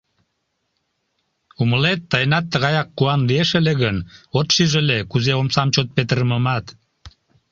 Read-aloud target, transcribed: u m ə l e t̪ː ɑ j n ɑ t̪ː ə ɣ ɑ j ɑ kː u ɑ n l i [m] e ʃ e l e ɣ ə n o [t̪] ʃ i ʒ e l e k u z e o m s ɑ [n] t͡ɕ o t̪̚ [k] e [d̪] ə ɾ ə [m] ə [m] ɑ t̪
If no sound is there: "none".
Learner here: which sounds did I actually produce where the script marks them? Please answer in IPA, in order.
none, t̪, m, p, t̪, m, m

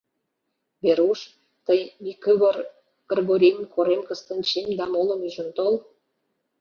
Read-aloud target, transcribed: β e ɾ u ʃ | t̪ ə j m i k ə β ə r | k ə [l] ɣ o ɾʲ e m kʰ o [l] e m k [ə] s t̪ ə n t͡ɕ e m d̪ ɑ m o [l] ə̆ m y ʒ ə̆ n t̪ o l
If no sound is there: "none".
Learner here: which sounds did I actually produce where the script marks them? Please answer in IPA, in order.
r, ɾ, ə, l

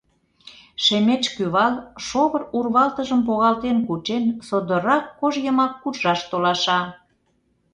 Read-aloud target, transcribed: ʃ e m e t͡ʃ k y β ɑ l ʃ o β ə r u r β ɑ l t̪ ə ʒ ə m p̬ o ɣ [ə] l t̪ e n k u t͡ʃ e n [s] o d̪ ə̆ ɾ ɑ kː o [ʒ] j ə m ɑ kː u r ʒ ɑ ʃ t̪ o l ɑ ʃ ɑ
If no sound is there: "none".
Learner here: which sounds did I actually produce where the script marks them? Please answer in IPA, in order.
ɑ, s, ʒ

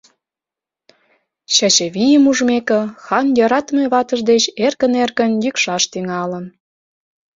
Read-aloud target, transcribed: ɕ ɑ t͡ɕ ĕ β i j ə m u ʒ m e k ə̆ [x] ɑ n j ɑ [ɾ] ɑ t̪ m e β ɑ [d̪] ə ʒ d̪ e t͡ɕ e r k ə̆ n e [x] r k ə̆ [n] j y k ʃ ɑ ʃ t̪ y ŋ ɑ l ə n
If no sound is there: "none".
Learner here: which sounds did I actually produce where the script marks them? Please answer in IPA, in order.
x, ɾ, t̪, none, n

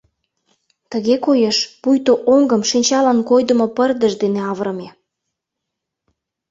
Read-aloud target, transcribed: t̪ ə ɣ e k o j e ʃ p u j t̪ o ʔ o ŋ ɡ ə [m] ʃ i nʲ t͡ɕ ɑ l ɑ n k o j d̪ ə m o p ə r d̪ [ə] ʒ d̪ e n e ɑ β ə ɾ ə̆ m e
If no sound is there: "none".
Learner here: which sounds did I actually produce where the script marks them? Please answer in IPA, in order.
m, ə

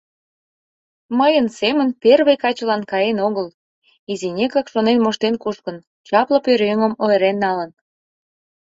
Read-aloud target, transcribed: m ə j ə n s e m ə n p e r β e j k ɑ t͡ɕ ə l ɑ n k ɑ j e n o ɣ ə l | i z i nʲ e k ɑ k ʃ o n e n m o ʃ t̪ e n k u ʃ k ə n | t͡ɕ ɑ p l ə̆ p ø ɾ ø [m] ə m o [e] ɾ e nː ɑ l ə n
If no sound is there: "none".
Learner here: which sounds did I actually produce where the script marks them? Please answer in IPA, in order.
ŋ, e

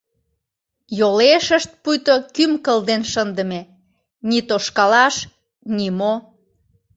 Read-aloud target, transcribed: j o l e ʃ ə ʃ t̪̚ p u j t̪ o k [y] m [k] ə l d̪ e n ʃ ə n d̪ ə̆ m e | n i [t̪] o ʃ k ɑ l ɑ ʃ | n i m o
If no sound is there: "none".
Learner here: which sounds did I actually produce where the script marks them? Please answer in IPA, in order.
y, k, t̪

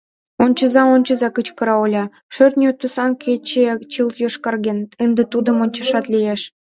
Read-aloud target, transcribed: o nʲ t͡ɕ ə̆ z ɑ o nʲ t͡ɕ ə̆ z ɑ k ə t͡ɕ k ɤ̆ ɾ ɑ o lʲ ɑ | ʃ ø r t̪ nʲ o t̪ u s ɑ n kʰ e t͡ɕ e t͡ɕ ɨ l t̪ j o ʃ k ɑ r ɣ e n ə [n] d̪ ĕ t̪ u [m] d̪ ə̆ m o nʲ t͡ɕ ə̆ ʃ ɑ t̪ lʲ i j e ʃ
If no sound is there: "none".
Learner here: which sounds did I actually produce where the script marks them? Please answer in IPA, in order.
n, none

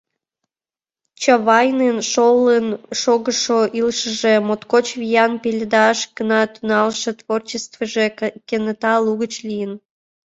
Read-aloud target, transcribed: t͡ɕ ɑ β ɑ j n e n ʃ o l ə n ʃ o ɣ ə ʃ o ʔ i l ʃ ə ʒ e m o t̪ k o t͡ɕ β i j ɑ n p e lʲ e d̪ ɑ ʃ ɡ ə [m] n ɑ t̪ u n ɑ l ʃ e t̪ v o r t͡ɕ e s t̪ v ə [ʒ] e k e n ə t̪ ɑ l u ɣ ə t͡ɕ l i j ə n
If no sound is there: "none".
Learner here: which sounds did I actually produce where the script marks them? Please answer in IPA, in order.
none, ʒ

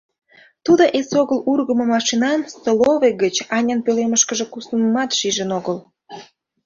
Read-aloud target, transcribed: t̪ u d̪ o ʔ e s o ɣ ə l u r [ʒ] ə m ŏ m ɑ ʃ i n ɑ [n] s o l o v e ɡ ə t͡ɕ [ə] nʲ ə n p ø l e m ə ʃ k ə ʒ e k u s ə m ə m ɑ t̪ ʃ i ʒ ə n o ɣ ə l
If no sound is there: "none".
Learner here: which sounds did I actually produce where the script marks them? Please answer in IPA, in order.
ɣ, n, ɑ

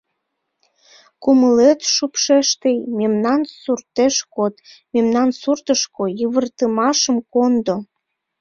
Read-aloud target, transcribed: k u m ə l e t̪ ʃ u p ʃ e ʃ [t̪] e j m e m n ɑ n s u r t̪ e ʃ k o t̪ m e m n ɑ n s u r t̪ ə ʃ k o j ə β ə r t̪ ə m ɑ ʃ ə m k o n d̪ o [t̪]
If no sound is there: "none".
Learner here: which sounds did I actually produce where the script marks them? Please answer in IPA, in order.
t̪, none

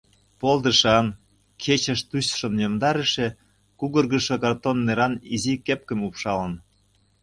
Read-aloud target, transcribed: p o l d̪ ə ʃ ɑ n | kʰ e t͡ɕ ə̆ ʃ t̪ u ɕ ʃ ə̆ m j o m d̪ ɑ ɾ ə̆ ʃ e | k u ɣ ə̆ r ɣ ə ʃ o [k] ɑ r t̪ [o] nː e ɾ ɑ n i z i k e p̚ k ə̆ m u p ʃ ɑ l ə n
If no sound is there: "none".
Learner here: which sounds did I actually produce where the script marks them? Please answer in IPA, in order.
k, o

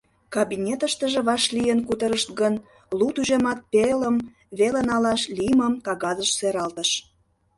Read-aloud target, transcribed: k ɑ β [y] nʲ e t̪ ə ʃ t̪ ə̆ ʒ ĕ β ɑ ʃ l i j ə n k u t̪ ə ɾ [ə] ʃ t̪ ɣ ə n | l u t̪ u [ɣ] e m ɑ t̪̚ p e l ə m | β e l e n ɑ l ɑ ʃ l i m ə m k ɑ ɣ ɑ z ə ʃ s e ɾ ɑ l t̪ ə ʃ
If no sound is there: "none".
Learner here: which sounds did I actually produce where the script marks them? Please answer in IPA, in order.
i, ə, ʒ

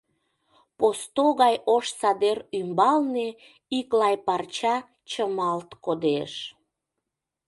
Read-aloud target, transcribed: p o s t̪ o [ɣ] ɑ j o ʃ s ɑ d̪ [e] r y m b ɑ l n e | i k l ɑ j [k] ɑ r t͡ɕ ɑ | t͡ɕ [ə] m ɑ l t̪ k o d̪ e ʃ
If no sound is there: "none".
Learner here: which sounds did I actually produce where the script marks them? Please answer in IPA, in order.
ɣ, e, p, ə

